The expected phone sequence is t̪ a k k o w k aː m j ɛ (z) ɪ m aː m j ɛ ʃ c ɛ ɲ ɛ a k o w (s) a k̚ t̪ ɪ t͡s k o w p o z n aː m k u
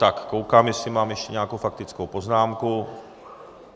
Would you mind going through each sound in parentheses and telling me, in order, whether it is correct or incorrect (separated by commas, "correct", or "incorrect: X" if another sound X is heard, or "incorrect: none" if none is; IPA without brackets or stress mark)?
incorrect: s, incorrect: f